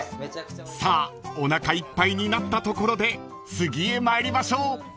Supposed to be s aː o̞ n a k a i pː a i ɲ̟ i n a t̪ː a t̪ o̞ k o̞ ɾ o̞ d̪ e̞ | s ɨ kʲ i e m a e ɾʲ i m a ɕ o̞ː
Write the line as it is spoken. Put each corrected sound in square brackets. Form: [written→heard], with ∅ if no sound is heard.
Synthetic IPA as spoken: s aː o̞ n a k a i pː a i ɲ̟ i n a t̪ː a t̪ o̞ k o̞ ɾ o̞ d̪ e̞ | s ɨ [kʲ→ɡʲ] i e m a e ɾʲ i m a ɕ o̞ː